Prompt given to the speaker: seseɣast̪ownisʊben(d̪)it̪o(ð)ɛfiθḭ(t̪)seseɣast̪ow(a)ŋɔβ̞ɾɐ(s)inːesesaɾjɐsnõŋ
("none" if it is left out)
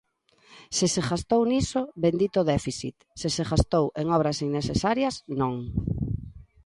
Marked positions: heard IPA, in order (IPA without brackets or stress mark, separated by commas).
d̪, ð, t̪, e, s